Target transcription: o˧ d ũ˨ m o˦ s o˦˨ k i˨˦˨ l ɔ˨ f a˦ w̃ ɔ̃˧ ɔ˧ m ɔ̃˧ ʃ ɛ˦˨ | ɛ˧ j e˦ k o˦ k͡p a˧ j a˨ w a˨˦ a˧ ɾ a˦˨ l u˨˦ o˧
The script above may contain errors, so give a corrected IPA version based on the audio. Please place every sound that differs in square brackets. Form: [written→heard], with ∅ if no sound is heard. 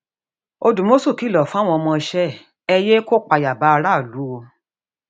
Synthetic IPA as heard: o˧ d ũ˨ m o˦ s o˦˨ k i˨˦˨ l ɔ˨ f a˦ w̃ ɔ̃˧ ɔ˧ m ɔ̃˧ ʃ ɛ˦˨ | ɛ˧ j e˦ k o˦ k͡p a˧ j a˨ [w→b] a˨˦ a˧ ɾ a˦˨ l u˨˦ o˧